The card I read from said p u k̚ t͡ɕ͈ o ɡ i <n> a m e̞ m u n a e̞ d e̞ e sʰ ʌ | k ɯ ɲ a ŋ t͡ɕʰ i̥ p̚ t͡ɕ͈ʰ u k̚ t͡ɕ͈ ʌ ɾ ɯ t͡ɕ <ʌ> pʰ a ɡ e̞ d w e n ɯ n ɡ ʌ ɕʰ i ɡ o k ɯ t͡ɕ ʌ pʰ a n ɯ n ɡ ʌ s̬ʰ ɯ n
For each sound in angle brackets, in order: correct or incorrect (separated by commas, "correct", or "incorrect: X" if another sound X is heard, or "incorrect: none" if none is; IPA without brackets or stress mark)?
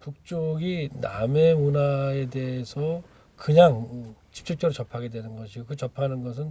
correct, correct